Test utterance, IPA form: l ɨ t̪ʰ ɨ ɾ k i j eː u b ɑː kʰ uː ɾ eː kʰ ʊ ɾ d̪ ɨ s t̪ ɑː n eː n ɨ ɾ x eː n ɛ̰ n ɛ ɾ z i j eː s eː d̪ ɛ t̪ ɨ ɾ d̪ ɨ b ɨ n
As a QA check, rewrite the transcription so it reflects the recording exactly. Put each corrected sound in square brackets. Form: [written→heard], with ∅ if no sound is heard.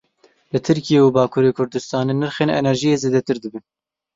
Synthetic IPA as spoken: l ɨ t̪ʰ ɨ ɾ k i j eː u b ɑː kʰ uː ɾ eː kʰ ʊ ɾ d̪ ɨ s t̪ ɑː n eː n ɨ ɾ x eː n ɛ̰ n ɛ ɾ [z→ʒ] i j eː [s→z] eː d̪ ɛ t̪ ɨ ɾ d̪ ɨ b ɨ n

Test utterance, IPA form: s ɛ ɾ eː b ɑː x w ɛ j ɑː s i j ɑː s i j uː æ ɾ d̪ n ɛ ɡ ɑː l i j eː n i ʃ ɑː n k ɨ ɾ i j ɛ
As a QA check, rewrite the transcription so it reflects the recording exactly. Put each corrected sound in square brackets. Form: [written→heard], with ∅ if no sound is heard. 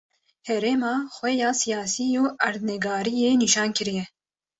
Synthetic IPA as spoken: [s→h] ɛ ɾ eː [b→m] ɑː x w ɛ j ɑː s i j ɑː s i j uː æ ɾ d̪ n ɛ ɡ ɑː [l→ɾ] i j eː n i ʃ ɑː n k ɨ ɾ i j ɛ

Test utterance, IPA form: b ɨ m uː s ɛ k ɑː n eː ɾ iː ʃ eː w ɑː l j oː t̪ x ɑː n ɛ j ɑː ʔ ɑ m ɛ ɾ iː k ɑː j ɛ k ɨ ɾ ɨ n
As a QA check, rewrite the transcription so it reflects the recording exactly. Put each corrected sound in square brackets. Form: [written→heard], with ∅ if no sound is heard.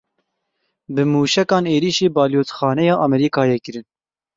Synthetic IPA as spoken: b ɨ m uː [s→ʃ] ɛ k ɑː n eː ɾ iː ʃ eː [w→b] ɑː l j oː t̪ x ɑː n ɛ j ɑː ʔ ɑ m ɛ ɾ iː k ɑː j ɛ k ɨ ɾ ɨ n

